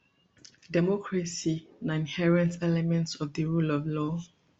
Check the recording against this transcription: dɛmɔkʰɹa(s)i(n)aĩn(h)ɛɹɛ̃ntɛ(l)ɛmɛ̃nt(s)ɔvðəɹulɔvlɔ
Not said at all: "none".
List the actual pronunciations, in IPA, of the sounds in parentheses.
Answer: s, n, h, l, s

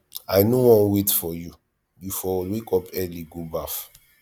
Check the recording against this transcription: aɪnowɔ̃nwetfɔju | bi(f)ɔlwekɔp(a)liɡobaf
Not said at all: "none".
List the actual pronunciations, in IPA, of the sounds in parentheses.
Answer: f, ɛ

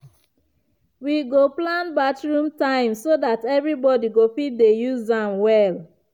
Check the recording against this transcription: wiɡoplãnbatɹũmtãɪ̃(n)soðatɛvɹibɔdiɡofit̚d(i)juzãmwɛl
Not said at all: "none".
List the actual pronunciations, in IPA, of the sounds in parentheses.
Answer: m, e

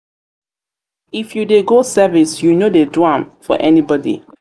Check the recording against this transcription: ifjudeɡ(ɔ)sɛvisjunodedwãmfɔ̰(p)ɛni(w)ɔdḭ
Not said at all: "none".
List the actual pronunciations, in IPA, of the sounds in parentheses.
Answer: o, ʔ, b

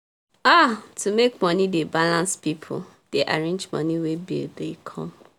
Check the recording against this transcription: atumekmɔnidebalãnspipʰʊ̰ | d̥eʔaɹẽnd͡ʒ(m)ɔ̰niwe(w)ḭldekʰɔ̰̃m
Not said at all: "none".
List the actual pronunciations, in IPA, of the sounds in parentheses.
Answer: m, b

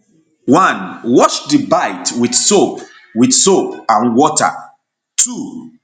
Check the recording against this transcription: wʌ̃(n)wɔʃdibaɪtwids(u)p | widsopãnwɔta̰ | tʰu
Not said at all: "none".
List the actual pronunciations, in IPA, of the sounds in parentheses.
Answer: n, o

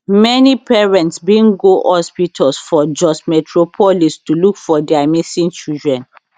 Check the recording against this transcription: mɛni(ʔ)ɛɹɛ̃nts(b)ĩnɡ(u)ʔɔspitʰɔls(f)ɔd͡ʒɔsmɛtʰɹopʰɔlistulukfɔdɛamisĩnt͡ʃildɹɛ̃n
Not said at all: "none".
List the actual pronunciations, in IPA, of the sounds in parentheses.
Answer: p, b, o, f

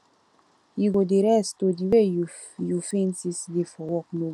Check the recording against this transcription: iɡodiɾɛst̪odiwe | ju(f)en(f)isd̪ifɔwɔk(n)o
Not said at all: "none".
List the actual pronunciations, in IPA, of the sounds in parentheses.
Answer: f, s, n

